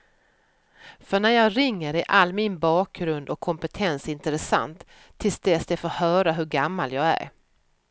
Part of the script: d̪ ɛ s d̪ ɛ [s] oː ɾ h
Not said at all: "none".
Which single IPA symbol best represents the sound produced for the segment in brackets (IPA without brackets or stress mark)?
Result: f